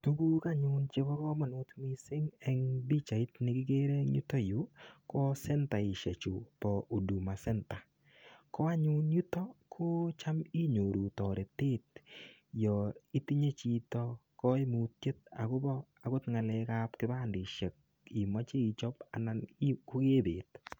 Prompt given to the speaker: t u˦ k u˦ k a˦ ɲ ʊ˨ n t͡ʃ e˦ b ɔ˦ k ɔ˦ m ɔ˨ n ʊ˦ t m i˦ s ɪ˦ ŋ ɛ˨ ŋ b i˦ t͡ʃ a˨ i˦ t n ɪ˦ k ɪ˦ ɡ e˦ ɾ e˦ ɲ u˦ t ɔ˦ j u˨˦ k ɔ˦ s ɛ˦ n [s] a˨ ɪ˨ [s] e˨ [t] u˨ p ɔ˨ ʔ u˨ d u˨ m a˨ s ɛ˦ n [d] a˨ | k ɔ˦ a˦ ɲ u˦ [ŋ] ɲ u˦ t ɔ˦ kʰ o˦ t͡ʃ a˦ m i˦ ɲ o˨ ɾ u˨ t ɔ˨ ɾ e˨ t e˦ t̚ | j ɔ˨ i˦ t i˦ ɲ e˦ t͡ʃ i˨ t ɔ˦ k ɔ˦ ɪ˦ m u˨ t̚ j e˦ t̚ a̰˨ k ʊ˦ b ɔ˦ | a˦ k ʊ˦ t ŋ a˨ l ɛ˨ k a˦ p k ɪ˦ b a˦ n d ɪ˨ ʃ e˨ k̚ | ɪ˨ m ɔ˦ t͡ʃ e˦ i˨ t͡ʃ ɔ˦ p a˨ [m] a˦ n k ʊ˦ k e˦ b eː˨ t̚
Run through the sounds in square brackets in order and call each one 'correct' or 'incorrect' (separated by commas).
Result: incorrect, incorrect, incorrect, incorrect, incorrect, incorrect